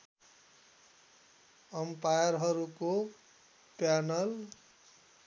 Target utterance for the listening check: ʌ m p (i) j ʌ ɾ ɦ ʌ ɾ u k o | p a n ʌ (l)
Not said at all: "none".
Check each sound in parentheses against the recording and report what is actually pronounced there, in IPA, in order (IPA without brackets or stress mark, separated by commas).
a, l